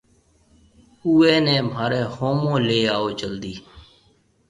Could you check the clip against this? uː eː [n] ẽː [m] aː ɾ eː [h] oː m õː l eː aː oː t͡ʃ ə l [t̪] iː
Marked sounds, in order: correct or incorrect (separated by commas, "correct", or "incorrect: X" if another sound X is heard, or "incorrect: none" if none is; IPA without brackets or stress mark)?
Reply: correct, correct, correct, incorrect: d̪